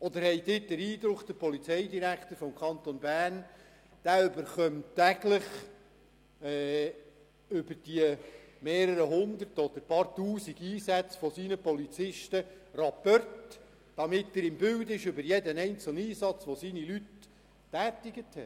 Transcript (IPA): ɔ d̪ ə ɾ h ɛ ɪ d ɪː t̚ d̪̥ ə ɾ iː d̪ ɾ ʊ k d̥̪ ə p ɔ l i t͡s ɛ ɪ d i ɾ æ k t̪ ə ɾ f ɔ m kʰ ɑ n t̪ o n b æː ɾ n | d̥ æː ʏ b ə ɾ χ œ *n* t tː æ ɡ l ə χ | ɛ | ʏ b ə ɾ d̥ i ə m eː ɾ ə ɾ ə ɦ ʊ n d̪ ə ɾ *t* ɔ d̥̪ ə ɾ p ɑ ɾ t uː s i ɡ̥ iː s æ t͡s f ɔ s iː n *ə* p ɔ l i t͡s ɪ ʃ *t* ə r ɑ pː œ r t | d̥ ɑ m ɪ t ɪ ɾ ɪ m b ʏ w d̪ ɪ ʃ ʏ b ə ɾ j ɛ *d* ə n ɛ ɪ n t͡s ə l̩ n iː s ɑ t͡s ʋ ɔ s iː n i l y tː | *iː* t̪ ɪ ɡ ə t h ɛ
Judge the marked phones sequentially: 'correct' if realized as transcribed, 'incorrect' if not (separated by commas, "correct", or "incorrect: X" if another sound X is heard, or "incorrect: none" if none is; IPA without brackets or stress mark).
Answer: incorrect: m, correct, correct, correct, correct, incorrect: æː